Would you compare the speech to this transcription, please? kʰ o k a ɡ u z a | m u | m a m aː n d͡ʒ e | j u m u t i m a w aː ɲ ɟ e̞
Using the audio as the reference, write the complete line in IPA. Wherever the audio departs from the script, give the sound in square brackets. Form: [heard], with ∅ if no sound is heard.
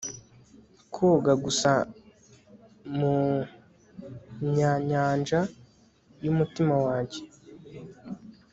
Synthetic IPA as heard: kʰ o [ɡ] a ɡ u [s] a | m u | [ɲ] a [ɲ] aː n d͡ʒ [a] | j u m u t i m a w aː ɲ ɟ e̞